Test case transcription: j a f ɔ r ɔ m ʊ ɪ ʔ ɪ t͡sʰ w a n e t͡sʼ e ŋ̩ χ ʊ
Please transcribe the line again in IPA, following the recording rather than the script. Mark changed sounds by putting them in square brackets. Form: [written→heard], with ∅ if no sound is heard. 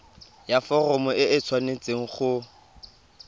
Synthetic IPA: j a f ɔ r ɔ m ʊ ɪ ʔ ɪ t͡sʰ w a n e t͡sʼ e ŋ̩ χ ʊ